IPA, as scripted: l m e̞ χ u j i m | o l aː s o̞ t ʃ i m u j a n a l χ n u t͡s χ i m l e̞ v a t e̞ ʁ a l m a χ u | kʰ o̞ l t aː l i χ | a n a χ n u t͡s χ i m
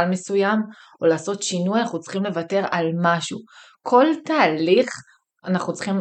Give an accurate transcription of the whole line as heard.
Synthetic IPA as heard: l m e̞ s u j a m | o l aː s o̞ t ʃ i n u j a n a χ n u t͡s χ i m l e̞ v a t e̞ ʁ a l m a ʃ u | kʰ o̞ l t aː l i χ | a n a χ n u t͡s χ i m